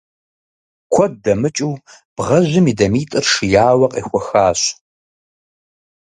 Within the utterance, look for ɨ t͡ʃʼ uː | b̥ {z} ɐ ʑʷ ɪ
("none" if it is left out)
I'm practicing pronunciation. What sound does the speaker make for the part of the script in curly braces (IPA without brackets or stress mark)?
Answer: ʁ